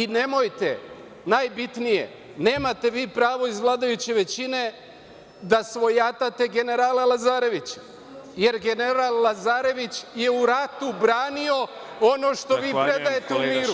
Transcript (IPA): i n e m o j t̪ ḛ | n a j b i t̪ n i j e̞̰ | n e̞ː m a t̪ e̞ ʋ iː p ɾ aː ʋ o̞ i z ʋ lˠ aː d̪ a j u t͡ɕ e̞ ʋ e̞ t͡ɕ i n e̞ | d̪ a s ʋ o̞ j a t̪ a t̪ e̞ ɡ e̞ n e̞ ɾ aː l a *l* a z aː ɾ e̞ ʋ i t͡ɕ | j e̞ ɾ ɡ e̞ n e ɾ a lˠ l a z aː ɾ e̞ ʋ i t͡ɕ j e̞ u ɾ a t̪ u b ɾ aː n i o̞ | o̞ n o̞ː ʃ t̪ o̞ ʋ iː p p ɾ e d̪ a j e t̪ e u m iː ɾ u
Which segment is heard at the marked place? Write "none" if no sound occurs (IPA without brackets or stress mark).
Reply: l